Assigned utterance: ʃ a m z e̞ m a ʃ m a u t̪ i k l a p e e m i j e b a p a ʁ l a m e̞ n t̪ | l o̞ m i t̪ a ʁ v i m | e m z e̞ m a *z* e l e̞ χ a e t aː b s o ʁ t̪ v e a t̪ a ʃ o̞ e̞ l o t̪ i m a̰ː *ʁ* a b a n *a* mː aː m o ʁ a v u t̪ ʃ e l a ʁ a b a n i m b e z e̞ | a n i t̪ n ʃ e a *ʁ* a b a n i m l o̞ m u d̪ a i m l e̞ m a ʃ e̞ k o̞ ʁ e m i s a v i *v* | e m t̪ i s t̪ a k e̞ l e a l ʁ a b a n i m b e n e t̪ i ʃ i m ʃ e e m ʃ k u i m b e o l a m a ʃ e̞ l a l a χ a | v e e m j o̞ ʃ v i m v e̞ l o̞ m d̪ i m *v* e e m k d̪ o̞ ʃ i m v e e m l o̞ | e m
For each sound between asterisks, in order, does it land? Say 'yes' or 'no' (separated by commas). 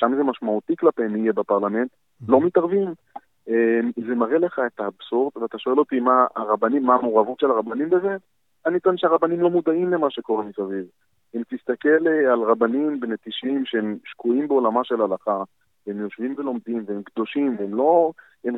no, yes, no, yes, yes, yes